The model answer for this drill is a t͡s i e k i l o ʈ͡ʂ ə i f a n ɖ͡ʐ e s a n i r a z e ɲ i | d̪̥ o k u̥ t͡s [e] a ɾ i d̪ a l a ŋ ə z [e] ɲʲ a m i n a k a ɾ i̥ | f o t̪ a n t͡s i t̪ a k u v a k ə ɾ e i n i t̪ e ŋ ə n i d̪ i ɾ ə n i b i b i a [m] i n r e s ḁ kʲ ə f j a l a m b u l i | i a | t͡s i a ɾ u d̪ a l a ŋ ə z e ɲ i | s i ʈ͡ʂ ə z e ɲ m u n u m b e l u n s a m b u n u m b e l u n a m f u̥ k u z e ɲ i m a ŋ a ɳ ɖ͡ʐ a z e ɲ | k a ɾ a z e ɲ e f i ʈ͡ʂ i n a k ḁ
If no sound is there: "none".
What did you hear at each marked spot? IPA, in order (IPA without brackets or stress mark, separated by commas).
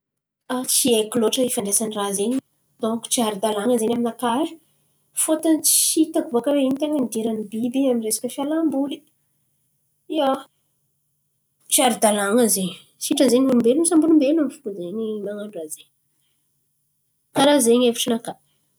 i, e, m